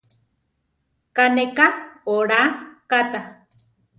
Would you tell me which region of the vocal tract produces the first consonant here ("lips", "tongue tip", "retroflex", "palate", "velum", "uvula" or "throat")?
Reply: velum